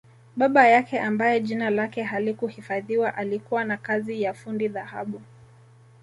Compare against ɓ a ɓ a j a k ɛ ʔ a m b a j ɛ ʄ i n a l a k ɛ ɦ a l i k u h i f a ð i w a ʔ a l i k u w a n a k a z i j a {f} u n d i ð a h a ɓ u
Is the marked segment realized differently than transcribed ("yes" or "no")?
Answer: no